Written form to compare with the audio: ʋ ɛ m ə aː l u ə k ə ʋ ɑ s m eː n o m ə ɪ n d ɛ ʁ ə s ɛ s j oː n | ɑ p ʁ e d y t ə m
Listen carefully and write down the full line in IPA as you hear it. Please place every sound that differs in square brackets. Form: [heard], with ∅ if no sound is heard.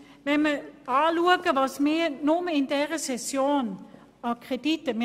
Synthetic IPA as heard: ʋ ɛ m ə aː l u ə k ə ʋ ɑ s m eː n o m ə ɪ n d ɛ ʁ ə s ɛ s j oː n | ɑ [k] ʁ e d [i] t ə m